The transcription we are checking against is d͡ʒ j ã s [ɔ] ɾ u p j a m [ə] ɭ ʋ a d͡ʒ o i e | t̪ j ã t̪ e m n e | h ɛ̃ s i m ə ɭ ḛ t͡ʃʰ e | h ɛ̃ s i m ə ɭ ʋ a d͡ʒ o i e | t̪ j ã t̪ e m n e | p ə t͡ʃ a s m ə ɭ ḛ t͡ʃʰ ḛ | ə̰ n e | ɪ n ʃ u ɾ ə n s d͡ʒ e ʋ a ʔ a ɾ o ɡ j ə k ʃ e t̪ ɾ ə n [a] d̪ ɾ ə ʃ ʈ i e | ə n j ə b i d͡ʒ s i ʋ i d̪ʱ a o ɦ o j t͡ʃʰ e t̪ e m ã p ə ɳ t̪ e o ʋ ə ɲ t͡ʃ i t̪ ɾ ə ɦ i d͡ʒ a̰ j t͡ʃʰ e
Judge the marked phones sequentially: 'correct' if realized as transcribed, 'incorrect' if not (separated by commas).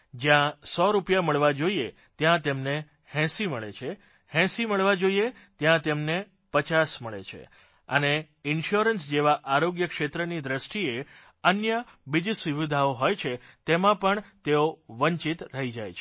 correct, correct, incorrect